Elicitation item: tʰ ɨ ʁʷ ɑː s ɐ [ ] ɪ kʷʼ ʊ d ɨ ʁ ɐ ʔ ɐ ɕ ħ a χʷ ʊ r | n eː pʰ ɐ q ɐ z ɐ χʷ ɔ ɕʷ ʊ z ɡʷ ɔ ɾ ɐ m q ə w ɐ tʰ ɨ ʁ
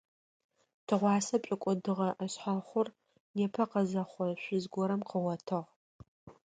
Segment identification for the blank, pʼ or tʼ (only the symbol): pʼ